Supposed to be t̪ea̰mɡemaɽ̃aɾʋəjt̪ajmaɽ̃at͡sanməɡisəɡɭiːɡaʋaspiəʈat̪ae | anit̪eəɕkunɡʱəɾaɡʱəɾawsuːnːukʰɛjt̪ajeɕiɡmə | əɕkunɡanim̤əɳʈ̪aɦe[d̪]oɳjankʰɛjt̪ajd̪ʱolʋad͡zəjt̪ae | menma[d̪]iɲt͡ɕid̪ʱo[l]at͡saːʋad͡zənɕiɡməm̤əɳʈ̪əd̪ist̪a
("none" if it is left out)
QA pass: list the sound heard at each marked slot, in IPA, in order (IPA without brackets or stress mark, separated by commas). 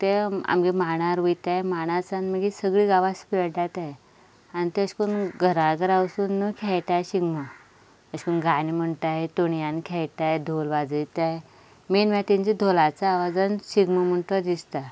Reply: t̪, t̪, l